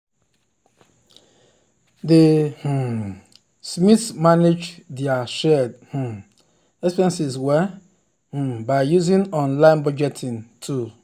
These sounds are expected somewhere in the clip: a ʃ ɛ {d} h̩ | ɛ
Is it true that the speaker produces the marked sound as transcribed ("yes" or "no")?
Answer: yes